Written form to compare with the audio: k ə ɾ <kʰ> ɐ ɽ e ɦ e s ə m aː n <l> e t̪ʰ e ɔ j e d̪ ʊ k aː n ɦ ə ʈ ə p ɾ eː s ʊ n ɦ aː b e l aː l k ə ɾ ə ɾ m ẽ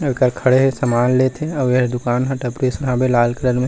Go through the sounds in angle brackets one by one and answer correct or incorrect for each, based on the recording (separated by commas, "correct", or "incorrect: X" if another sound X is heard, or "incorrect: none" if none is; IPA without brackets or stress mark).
correct, correct